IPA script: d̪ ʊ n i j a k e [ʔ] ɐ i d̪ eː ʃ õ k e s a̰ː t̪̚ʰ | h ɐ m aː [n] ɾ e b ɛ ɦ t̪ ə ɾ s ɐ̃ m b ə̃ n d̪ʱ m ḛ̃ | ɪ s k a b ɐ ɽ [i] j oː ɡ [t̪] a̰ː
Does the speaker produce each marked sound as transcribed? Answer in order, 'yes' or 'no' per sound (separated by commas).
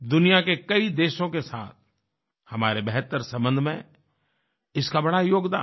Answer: no, no, no, no